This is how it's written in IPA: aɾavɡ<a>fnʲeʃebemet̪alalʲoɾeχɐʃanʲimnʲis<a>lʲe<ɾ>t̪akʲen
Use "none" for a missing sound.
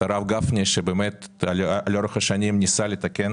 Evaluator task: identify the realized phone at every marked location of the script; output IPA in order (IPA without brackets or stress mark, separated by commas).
a, a, none